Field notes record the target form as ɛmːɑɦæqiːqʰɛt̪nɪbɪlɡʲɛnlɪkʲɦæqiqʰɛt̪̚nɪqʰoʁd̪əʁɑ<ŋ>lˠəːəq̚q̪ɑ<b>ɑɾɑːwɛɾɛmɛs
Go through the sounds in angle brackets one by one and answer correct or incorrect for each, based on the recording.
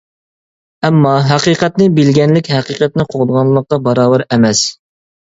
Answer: incorrect, correct

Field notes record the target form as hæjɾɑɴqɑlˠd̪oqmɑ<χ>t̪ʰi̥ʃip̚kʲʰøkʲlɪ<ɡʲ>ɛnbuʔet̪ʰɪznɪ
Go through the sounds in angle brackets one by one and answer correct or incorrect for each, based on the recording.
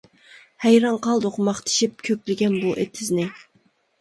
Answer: correct, correct

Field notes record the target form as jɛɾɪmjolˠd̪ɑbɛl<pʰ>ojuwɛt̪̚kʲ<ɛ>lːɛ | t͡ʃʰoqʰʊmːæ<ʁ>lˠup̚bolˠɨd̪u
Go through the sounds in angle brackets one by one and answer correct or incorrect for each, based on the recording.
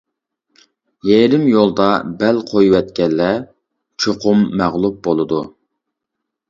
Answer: incorrect, correct, correct

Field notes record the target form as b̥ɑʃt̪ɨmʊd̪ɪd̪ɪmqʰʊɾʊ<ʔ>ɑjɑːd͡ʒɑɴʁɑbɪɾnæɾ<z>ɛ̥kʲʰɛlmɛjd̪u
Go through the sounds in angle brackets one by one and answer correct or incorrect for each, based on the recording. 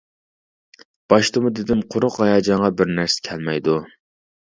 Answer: incorrect, incorrect

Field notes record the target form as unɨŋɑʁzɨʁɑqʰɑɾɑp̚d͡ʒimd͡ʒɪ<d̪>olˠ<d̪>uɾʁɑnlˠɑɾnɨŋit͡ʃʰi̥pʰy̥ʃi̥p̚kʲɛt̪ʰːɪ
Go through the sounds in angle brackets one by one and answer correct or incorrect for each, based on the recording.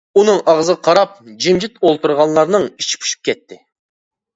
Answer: incorrect, incorrect

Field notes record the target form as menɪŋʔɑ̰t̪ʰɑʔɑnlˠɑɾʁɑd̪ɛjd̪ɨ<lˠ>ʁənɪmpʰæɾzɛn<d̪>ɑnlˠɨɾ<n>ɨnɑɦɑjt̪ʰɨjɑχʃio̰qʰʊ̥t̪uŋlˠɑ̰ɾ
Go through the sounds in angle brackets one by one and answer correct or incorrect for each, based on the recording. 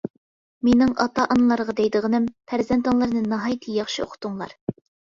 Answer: incorrect, incorrect, correct

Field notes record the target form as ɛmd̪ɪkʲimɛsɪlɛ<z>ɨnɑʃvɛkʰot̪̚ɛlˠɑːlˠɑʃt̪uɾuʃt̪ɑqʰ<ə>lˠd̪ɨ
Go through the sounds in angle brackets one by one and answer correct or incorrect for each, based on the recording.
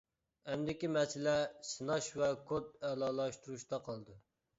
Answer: incorrect, incorrect

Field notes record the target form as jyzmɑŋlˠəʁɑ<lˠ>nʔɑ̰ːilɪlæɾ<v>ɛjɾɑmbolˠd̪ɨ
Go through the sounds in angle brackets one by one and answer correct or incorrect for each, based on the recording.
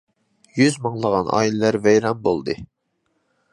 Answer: incorrect, correct

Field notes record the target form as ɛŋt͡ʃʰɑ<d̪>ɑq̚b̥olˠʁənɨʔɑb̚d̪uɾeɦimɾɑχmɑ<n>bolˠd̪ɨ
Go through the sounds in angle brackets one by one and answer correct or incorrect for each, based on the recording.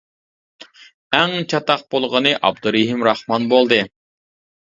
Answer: incorrect, correct

